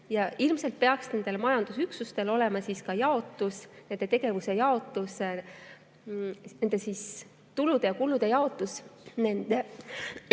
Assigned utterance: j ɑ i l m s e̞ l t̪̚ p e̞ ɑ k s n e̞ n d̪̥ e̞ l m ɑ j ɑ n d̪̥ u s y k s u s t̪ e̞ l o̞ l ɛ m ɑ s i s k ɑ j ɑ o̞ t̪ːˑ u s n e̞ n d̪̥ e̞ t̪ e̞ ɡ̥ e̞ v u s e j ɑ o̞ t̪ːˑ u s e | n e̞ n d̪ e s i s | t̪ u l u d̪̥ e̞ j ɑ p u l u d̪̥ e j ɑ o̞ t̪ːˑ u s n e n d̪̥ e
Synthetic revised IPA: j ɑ i l m s e̞ l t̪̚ p e̞ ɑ k s n e̞ n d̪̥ e̞ l m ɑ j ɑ n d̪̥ u s y k s u s t̪ e̞ l o̞ l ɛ m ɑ s i s k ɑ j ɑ o̞ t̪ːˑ u s n e̞ n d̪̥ e̞ t̪ e̞ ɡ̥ e̞ v u s e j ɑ o̞ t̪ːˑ u s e | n e̞ n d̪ e s i s | t̪ u l u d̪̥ e̞ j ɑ k u l u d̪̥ e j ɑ o̞ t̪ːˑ u s n e n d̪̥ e

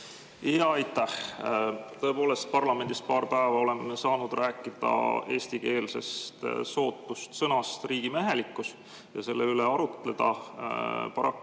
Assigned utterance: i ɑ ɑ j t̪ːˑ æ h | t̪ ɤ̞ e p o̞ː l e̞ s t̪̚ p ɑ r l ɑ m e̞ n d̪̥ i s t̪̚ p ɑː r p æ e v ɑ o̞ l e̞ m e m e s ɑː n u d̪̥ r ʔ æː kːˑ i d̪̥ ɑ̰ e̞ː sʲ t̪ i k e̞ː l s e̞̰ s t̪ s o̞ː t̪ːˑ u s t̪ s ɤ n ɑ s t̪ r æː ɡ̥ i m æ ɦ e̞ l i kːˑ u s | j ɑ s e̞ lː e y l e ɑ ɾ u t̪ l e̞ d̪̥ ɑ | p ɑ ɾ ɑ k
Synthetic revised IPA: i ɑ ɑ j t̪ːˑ æ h | t̪ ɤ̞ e p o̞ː l e̞ s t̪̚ p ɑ r l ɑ m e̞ n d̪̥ i s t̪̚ p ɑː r p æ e v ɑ o̞ l e̞ m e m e s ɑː n u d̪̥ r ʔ æː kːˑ i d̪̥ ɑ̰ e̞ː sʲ t̪ i k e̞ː l s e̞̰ s t̪ s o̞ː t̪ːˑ u s t̪ s ɤ n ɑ s t̪ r iː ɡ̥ i m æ ɦ e̞ l i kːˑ u s | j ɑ s e̞ lː e y l e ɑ ɾ u t̪ l e̞ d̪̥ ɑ | p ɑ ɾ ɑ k

